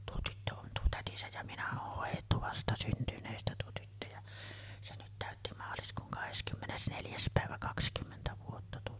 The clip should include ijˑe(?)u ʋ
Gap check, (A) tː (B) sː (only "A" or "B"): A